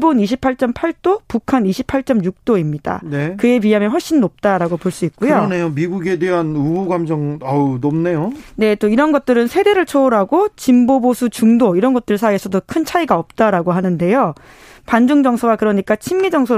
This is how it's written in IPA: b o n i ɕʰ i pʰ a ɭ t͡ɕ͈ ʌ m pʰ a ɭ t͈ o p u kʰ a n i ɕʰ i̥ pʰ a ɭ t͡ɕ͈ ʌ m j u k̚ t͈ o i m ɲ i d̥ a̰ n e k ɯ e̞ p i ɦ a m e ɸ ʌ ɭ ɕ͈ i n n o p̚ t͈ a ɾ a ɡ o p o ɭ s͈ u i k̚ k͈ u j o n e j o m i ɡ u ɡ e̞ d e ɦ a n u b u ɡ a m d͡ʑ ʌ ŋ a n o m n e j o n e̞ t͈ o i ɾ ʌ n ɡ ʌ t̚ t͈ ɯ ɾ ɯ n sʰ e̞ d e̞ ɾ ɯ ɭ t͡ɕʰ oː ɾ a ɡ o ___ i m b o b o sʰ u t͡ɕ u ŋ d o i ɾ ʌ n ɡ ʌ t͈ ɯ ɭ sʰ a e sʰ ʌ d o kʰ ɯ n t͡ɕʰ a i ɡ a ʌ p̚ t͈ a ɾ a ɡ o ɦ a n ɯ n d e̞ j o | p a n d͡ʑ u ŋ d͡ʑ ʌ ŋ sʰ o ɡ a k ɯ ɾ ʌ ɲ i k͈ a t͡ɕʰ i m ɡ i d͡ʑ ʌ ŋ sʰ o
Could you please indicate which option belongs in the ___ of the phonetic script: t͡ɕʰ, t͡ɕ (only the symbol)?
t͡ɕ